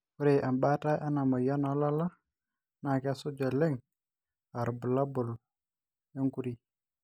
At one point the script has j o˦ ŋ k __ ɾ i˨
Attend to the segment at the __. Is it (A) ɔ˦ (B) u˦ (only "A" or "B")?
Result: B